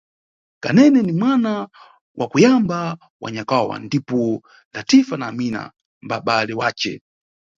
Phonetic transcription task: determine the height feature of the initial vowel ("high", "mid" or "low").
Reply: low